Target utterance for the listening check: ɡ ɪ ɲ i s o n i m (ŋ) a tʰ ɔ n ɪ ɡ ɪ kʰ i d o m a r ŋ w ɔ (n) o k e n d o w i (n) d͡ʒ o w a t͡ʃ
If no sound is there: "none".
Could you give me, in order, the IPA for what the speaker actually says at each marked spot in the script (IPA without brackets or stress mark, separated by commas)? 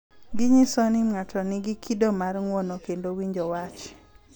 ŋ, n, ɲ